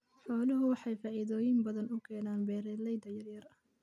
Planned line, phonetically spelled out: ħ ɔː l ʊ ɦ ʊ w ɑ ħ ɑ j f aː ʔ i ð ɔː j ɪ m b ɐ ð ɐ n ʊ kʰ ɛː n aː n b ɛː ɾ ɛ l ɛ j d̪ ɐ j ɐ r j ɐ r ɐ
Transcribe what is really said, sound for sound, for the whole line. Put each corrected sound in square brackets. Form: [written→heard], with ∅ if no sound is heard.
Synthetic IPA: ħ ɔː l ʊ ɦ ʊ w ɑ ħ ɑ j f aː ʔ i ð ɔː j ɪ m b ɐ ð ɐ n ʊ kʰ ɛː n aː n b ɛː ɾ ɛ l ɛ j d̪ ɐ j ɐ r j ɐ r ɐ